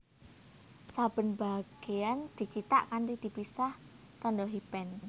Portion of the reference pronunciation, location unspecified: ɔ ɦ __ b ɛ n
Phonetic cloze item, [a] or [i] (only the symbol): i